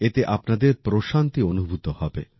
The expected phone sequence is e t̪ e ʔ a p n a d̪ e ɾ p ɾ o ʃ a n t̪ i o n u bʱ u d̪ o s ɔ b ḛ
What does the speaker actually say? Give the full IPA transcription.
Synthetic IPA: e t̪ e ʔ a p n a d̪ e ɾ p ɾ o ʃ a n t̪ i o n u bʱ u t̪ o h ɔ b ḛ